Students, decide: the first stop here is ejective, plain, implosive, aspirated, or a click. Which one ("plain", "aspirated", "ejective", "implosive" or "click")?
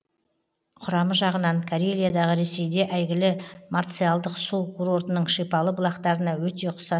aspirated